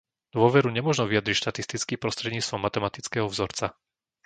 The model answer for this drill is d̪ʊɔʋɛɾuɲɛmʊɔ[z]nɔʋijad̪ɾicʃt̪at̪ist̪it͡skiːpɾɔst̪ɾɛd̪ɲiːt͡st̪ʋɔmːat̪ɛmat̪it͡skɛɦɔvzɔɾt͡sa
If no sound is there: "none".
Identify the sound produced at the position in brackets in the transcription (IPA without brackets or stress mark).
ʒ